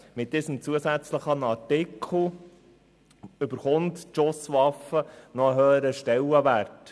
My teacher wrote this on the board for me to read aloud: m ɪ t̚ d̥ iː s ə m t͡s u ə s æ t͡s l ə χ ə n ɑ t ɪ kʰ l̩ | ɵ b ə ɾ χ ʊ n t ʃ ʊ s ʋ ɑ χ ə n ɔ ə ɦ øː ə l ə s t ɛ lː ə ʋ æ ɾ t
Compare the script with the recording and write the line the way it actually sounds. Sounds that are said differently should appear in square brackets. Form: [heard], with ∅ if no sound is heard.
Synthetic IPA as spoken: m ɪ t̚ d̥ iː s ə m t͡s u ə s æ t͡s l ə χ ə n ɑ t ɪ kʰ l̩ | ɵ b ə ɾ χ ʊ n t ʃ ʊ s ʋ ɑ [f] ə n ɔ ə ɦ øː ə [ɾ] ə [ʃ] t ɛ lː ə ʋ æ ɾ t